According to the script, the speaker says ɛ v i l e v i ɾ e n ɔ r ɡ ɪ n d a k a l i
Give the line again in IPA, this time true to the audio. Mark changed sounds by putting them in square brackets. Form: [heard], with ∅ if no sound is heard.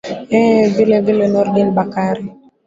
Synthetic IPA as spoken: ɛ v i l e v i [l] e n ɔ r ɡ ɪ n [b] a k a [ɾ] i